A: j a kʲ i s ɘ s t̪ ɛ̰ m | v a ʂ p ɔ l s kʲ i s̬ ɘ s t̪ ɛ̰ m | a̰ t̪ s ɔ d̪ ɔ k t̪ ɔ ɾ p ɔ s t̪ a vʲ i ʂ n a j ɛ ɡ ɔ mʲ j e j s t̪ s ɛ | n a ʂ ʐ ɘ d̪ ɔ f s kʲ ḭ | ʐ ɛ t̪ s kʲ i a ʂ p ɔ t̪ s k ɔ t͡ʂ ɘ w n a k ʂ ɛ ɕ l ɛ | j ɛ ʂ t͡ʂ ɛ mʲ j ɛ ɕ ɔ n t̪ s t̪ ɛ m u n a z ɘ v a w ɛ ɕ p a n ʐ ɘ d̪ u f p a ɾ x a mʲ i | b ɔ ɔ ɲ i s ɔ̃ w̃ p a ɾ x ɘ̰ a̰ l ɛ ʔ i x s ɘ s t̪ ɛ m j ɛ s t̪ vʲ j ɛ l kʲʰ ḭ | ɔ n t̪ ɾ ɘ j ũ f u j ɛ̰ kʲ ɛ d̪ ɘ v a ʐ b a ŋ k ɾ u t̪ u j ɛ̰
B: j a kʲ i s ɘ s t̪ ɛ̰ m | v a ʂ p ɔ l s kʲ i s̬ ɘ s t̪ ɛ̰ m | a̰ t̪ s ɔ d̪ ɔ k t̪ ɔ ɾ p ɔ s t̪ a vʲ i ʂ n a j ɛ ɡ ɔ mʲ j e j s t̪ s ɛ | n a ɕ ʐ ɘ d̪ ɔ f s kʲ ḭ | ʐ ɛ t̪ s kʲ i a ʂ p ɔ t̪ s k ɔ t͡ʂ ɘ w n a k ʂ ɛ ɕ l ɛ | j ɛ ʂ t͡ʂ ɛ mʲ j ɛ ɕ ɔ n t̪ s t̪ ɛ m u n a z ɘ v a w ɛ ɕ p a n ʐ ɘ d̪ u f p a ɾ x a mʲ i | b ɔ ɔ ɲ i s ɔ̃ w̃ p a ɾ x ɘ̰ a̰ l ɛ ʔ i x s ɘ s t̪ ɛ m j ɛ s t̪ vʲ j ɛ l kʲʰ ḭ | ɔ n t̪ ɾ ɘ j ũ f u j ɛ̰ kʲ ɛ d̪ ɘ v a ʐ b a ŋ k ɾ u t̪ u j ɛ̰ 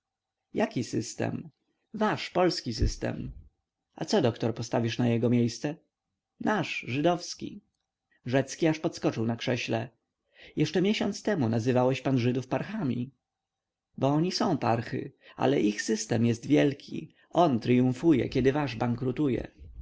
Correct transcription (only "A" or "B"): A